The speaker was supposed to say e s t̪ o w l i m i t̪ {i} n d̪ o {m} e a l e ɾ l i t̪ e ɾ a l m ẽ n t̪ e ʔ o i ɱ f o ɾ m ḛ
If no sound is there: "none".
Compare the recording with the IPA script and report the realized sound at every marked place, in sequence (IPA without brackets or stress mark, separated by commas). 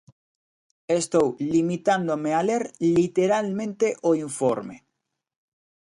a, m